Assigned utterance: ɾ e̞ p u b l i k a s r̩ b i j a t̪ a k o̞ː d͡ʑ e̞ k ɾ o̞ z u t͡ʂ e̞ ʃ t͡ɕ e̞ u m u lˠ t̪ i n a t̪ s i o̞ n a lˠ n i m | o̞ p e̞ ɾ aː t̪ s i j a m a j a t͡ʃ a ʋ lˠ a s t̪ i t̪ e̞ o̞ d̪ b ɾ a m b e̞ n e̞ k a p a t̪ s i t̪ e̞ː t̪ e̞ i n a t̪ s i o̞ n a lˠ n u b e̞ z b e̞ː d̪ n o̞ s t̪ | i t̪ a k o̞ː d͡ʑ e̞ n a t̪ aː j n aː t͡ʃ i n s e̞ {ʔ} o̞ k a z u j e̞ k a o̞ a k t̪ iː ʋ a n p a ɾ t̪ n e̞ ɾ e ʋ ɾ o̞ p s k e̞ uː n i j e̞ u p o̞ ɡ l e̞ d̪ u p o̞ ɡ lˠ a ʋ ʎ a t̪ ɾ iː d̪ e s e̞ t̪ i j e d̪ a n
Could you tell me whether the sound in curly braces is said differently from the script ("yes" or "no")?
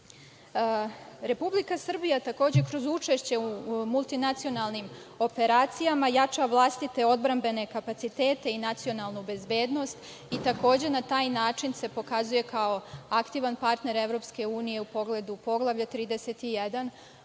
yes